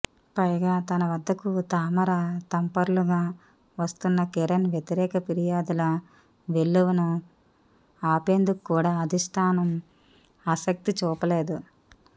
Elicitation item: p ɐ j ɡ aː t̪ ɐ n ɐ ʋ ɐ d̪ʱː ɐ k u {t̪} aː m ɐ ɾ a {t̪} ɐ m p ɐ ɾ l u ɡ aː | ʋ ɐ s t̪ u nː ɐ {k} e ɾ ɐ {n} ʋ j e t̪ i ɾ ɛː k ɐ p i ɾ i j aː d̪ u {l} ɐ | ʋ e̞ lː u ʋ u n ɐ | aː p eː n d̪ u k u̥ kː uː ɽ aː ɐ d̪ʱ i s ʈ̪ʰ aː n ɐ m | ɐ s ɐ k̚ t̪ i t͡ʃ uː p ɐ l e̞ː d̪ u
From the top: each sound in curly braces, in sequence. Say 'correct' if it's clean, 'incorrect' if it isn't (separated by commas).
correct, correct, correct, correct, correct